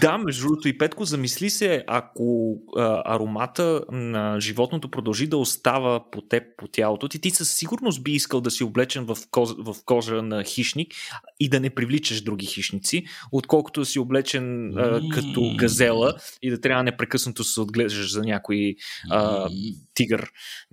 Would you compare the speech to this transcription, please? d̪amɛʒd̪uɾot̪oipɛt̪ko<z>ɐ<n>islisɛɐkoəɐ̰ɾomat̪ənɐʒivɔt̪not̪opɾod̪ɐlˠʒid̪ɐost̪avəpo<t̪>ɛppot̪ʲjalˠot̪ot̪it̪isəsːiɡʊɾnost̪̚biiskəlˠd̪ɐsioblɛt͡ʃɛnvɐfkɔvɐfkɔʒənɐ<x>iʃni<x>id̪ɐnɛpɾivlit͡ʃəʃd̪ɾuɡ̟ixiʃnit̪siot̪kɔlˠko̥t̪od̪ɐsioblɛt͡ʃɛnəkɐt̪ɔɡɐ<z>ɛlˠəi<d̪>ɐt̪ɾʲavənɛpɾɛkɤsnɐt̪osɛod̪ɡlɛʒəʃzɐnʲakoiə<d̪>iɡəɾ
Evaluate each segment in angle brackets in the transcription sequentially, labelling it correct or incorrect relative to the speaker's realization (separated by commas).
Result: correct, incorrect, correct, correct, incorrect, correct, correct, incorrect